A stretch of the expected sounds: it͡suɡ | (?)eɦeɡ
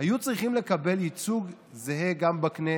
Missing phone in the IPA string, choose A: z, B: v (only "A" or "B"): A